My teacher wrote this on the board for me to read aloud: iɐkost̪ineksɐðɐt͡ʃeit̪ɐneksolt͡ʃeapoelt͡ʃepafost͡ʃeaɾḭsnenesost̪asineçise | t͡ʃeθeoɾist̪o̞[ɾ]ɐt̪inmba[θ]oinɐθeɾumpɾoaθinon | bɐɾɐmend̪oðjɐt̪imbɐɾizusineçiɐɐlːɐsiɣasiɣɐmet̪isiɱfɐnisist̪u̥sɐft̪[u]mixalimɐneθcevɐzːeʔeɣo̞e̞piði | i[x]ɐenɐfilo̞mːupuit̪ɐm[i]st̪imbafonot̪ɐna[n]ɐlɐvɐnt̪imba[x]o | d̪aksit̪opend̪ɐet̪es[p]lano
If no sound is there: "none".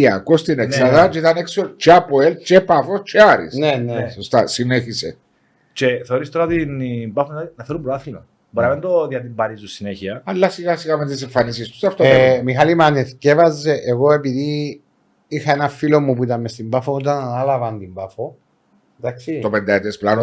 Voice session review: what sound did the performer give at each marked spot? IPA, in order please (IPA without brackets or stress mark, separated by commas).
ɾ, f, o, x, e, n, f, p